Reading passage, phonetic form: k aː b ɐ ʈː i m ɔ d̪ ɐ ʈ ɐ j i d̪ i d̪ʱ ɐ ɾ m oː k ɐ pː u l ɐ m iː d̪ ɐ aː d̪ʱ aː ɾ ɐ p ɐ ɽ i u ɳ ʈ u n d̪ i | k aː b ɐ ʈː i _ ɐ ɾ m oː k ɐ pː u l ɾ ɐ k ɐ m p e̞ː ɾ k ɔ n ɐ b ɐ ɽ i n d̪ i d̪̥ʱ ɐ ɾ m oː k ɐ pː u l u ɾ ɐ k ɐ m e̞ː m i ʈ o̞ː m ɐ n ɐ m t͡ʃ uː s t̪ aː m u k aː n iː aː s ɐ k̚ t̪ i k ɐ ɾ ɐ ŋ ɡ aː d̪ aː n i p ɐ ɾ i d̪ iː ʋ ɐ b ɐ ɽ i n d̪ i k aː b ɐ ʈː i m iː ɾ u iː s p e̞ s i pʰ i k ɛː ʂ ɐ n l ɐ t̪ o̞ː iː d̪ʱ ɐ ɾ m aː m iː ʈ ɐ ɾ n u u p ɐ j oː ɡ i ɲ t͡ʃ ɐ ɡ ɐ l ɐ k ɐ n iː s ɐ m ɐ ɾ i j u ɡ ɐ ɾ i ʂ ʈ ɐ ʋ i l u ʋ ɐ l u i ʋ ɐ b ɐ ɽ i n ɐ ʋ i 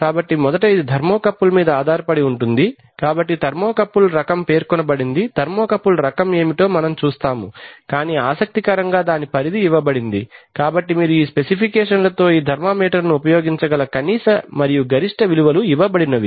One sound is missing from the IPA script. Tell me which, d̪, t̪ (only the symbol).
t̪